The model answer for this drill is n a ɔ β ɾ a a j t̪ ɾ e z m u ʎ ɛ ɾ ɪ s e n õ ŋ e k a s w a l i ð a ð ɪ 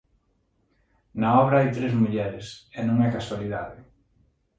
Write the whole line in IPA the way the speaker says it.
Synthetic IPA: n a ɔ β ɾ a a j t̪ ɾ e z m u ʎ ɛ ɾ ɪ s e n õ ŋ ɛ k a s w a l i ð a ð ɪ